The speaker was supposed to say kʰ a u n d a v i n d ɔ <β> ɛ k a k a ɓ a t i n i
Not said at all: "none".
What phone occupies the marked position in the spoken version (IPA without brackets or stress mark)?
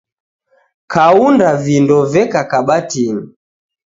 v